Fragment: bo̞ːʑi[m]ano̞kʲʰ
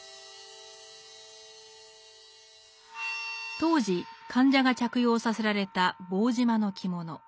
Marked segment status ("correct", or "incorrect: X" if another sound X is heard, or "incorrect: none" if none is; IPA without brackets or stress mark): correct